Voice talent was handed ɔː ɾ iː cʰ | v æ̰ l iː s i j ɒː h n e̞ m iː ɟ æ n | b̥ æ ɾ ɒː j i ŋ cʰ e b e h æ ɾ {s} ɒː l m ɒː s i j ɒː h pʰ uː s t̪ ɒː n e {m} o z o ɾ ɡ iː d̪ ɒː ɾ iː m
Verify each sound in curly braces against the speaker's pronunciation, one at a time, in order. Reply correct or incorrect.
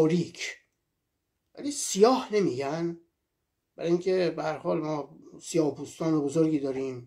incorrect: h, incorrect: b

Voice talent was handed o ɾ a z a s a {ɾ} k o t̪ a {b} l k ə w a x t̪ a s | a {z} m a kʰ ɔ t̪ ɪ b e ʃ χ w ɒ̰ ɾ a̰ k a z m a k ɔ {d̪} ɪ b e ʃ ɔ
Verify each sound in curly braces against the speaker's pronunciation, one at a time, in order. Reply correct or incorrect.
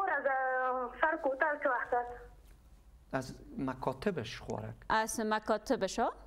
correct, incorrect: none, correct, incorrect: t̪

